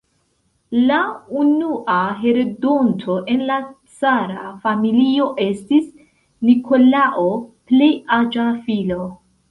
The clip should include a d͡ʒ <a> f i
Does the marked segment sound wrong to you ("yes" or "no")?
no